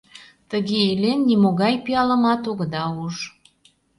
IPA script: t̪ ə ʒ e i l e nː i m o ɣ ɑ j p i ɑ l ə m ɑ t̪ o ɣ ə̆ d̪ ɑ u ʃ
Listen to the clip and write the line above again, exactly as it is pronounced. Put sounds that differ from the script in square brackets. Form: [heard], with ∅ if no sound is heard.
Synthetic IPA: t̪ ə [ɣ] e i l e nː i m o ɣ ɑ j p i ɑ l ə m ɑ t̪ o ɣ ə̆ d̪ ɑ u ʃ

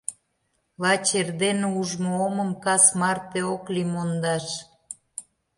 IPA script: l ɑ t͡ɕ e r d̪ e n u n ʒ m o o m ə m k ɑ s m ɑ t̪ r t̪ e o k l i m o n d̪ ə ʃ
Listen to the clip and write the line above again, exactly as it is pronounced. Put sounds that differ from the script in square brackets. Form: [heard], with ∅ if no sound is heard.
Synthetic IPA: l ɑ t͡ɕ e r d̪ e n u [∅] ʒ m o o m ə m k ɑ s m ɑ [∅] r t̪ e o k l i m o n d̪ [ɑ] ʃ

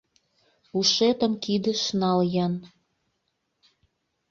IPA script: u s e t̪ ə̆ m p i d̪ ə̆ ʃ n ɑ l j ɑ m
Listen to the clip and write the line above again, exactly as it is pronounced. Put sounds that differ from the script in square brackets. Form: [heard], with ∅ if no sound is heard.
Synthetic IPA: u [ʃ] e t̪ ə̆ m [k] i d̪ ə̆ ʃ n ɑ l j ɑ [n]

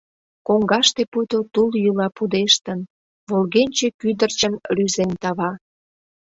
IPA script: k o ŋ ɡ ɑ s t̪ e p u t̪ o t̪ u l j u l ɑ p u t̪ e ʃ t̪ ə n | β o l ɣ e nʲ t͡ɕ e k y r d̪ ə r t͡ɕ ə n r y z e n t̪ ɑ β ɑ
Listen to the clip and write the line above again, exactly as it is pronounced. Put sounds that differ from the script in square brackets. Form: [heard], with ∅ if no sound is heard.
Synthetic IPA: k o ŋ ɡ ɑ [ʃ] t̪ e p u t̪ o t̪ u l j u l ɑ p u [d̪] e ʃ t̪ ə n | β o l ɣ e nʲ t͡ɕ e k y [∅] d̪ ə r t͡ɕ ə n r y z e n t̪ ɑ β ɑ

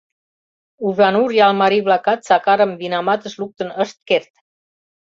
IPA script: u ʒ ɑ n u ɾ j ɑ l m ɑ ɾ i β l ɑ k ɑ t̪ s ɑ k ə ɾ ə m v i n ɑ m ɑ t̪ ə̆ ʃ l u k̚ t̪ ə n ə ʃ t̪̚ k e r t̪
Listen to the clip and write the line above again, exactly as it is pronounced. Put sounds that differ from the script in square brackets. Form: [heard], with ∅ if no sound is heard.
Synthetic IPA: u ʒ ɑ n u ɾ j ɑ l m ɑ ɾ i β l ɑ k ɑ t̪ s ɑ k [ɑ] ɾ ə m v i n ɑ m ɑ t̪ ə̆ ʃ l u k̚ t̪ ə n ə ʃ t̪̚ k e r t̪

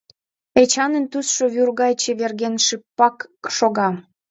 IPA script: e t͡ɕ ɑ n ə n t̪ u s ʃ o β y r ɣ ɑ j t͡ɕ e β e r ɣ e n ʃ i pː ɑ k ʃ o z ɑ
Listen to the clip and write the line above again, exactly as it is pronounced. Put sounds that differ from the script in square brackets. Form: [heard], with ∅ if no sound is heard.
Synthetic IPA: e t͡ɕ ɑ n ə n t̪ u s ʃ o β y r ɣ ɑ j t͡ɕ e β e r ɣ e n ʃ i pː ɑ k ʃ o [ɣ] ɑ

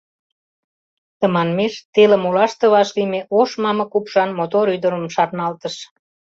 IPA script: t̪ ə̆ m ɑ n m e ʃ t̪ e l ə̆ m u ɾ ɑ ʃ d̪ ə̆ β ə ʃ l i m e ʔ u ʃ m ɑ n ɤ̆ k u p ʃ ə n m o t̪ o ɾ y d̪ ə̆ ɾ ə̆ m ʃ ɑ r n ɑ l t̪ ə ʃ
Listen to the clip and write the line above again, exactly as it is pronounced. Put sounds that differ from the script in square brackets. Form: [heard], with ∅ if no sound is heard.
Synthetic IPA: t̪ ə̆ m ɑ n m e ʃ t̪ e l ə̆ m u [l] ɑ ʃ [t̪] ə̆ β [ɑ] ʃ l i m e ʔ [o] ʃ m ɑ [m] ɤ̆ k u p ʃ [ɑ] n m o t̪ o ɾ y d̪ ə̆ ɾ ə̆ m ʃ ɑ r n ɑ l t̪ ə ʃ

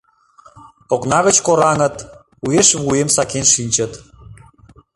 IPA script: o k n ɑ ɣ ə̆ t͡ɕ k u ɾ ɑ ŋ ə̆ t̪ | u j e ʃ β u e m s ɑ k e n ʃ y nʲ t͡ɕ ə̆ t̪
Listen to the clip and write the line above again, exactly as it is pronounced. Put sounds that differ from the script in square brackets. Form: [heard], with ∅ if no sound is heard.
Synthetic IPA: o k n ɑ ɣ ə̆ t͡ɕ k [o] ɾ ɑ ŋ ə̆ t̪ | u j e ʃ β u e m s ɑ k e n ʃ [i] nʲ t͡ɕ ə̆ t̪

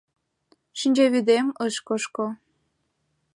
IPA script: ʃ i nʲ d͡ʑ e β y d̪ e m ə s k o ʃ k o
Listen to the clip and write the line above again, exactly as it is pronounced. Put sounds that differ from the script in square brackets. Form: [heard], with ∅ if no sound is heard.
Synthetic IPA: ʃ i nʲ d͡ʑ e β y d̪ e m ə [ʃ] k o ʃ k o

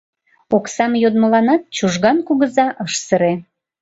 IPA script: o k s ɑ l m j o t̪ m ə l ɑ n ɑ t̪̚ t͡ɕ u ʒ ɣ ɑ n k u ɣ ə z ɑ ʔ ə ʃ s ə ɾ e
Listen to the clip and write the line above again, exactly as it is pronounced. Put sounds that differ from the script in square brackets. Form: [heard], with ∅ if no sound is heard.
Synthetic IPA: o k s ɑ [∅] m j o [d̪] m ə l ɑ n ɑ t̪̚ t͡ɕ u ʒ ɣ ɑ n k u ɣ ə z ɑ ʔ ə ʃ s ə ɾ e

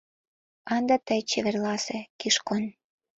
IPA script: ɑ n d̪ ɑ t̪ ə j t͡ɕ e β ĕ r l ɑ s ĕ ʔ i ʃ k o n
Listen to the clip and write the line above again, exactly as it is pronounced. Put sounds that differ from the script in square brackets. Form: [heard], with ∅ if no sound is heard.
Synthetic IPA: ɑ n d̪ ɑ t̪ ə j t͡ɕ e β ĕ r l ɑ s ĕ [k] i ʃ k o n

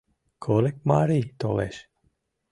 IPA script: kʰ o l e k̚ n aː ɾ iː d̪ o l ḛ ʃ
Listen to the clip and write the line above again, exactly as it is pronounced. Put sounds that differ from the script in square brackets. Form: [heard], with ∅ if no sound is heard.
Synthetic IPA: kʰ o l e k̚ [m] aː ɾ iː [t̪] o l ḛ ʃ

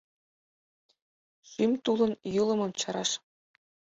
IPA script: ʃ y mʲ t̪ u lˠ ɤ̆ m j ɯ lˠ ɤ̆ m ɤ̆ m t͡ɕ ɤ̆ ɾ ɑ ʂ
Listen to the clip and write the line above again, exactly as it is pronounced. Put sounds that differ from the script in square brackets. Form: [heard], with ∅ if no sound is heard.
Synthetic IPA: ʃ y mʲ t̪ u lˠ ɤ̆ [n] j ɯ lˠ ɤ̆ m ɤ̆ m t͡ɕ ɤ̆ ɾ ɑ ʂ

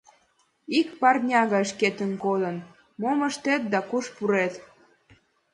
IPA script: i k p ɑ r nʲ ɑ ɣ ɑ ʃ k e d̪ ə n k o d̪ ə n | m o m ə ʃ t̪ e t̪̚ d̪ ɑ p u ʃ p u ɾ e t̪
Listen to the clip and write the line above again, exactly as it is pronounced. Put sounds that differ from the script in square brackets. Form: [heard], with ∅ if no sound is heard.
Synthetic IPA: i k p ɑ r nʲ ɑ ɣ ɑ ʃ k e [t̪] ə n k o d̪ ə n | m o m ə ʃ t̪ e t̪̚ d̪ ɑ [k] u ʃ p u ɾ e t̪

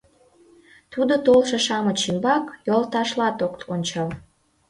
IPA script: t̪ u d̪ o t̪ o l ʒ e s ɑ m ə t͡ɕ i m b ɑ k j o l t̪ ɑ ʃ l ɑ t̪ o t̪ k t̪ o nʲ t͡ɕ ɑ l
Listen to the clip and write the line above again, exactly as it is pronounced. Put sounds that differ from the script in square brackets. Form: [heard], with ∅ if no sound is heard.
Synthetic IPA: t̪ u d̪ o t̪ o l [ʃ] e [ʃ] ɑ m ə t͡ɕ i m b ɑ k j o l t̪ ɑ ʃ l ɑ t̪ o [∅] k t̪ o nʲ t͡ɕ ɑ l

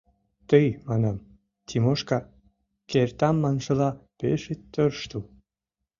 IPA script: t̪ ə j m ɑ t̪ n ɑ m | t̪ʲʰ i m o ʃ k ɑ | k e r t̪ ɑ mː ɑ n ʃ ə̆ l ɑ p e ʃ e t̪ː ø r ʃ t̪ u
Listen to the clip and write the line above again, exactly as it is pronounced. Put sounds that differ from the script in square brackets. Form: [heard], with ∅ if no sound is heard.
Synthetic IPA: t̪ ə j m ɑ [∅] n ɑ m | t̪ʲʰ i m o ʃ k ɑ | k e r t̪ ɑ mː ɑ n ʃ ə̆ l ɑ p e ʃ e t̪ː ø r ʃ t̪ u

